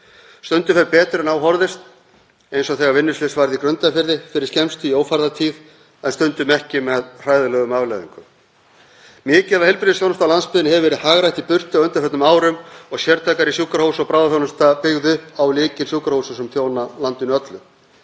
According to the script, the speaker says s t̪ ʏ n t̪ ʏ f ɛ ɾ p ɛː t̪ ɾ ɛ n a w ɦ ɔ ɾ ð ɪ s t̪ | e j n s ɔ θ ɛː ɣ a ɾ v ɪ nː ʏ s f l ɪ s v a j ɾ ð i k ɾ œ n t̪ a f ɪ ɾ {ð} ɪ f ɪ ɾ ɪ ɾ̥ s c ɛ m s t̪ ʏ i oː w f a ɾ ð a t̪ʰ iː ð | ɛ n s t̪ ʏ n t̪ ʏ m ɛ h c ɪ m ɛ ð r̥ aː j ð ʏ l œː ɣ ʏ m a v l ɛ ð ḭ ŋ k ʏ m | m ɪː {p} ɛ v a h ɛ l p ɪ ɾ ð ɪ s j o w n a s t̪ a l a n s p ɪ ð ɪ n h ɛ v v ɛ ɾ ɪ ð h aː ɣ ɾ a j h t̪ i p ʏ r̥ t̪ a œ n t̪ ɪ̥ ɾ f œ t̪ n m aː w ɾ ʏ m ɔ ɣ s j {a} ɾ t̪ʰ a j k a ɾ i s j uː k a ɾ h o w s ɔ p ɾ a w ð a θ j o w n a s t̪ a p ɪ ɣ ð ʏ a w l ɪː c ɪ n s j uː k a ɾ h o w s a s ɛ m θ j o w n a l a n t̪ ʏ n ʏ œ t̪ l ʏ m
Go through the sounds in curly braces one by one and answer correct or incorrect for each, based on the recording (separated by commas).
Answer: correct, incorrect, incorrect